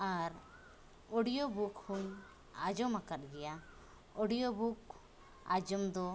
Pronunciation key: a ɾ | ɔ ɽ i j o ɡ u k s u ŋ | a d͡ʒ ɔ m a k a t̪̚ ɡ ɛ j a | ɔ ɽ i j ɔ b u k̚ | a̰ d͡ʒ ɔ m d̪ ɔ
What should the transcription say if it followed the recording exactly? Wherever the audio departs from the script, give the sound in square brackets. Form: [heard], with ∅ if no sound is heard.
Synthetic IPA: a ɾ | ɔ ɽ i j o [b] u k [h] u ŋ | a d͡ʒ ɔ m a k a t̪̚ ɡ ɛ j a | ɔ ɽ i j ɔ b u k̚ | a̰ d͡ʒ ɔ m d̪ ɔ